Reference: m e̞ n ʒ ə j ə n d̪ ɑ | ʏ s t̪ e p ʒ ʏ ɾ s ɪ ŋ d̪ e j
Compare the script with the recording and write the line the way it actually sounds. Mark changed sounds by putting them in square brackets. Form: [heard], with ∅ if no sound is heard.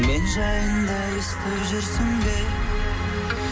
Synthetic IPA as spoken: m e̞ n ʒ [ɑ] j ə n d̪ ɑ | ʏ s t̪ e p ʒ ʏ ɾ s ɪ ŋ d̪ e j